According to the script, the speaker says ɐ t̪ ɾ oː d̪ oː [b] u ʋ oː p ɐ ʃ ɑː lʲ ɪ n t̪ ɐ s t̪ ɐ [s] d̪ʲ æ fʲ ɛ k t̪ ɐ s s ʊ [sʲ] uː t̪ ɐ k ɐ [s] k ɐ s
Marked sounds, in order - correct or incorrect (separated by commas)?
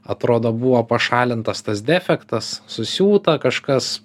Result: correct, correct, correct, incorrect